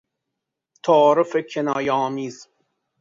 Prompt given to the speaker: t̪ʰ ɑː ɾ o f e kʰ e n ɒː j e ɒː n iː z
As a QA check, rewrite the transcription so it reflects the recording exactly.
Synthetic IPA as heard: t̪ʰ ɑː ɾ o f e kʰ e n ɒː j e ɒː m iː z